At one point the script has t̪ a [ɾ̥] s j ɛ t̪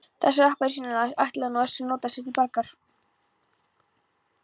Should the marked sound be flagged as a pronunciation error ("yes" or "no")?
yes